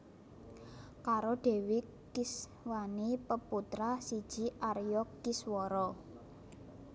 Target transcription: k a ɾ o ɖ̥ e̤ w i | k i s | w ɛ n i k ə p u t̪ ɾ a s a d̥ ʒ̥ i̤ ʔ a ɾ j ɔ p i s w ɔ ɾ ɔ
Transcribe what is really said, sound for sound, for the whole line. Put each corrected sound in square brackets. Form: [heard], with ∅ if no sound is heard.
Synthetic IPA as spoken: k a ɾ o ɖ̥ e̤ w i | k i s | w [a] n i [p] ə p u t̪ ɾ a s [i] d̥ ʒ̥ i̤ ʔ a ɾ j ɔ [k] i s w ɔ ɾ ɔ